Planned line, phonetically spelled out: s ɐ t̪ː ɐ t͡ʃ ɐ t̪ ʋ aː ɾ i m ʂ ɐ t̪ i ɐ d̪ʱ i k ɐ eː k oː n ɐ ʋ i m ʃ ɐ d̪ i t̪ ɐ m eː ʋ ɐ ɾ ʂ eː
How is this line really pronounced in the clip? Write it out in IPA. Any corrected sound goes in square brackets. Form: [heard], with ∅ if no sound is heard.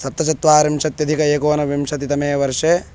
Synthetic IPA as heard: s ɐ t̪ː ɐ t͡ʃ ɐ t̪ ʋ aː ɾ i m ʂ ɐ t̪ [j] ɐ d̪ʱ i k ɐ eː k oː n ɐ ʋ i m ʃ ɐ [t̪] i t̪ ɐ m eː ʋ ɐ ɾ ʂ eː